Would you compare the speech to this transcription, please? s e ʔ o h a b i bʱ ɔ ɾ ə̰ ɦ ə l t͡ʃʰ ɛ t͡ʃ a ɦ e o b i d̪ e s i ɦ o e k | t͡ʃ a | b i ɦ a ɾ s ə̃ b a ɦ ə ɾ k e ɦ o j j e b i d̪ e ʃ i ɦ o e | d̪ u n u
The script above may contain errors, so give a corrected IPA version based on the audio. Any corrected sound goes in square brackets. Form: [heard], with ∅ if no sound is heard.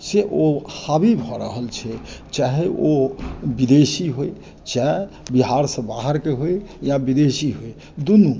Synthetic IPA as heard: s e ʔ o h a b i bʱ ɔ ɾ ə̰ ɦ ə l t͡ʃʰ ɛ t͡ʃ a ɦ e o b i d̪ e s i ɦ o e [∅] | t͡ʃ a | b i ɦ a ɾ s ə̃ b a ɦ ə ɾ k e ɦ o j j [a] b i d̪ e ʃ i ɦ o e | d̪ u n u